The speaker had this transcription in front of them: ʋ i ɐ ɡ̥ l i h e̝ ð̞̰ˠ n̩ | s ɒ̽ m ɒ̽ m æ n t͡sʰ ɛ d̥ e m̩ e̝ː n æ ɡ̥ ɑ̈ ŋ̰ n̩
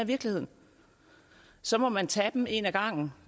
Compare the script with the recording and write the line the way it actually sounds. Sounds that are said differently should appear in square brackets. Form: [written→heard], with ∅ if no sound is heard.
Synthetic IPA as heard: ʋ i ɐ ɡ̥ l i h e̝ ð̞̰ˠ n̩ | s ɒ̽ m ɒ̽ m æ n t͡sʰ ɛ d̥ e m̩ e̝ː n æ ɡ̥ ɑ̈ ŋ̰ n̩